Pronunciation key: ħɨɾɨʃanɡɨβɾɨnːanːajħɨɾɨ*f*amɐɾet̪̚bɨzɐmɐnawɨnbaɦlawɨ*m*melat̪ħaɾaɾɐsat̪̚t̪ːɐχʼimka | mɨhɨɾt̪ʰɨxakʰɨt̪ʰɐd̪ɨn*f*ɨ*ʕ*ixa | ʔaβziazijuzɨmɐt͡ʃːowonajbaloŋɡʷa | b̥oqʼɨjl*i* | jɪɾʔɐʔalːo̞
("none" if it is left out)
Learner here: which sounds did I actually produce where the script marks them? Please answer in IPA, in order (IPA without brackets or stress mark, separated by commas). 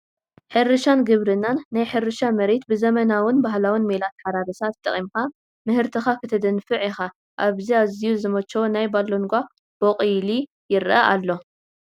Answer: ʃ, n, f, ʕ, i